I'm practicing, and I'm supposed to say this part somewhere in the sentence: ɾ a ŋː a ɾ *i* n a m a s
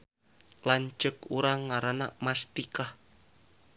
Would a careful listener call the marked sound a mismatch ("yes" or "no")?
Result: yes